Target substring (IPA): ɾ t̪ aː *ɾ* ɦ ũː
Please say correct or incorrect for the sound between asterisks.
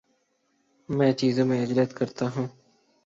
incorrect